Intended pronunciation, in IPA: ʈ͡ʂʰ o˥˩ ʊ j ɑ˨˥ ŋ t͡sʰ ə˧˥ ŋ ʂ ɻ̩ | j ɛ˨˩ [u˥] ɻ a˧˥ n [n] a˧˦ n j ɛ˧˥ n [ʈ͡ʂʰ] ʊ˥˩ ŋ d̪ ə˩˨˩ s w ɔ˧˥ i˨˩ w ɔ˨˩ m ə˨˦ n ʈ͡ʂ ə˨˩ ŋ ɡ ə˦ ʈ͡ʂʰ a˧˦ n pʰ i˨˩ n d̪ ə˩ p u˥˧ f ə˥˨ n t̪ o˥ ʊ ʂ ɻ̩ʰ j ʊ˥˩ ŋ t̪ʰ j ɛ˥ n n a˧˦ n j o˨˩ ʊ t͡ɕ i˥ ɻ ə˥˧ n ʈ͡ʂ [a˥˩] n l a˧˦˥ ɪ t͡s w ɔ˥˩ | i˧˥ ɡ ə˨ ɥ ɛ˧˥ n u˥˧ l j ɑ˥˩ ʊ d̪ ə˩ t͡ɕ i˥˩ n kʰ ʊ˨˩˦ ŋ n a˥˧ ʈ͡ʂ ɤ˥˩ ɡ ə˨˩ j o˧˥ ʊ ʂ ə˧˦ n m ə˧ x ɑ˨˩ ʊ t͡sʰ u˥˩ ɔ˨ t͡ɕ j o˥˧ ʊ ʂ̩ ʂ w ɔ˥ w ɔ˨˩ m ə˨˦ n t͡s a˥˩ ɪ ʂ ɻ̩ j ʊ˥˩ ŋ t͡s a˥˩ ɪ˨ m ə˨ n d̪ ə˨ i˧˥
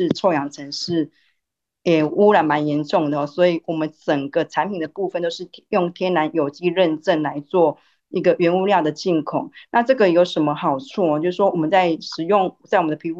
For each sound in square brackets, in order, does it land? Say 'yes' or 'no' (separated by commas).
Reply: yes, no, no, no